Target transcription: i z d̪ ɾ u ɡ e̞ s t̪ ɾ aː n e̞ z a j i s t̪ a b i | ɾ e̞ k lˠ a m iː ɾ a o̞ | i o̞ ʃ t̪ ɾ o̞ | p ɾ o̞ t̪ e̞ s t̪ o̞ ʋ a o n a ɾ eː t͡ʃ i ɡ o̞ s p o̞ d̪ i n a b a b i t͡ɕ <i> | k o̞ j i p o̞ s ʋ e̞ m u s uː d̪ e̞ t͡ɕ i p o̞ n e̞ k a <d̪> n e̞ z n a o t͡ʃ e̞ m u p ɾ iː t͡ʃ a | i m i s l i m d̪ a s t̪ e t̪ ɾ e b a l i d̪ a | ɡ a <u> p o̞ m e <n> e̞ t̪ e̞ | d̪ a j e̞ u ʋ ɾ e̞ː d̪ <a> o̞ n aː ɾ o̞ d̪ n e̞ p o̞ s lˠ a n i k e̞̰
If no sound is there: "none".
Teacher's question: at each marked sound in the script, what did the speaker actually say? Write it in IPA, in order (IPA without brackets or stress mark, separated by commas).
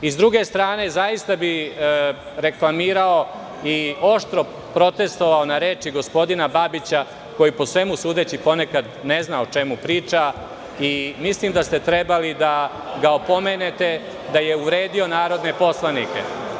a, d̪, o, n, i